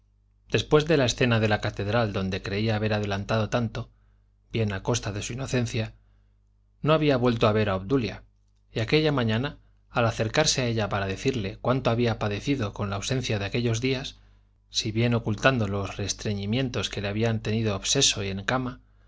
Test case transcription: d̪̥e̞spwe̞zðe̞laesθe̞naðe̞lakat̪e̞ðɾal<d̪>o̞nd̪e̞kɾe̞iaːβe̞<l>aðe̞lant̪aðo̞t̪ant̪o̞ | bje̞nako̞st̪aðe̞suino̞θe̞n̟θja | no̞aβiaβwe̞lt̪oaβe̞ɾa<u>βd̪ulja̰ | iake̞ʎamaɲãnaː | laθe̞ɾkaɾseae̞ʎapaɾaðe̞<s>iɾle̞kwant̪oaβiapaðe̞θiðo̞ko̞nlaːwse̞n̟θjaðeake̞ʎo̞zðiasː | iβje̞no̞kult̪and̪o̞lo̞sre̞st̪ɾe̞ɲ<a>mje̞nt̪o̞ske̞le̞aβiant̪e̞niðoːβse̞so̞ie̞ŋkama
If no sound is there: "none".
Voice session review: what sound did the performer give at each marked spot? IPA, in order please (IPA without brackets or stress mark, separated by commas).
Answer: d̪, ɾ, o, θ, i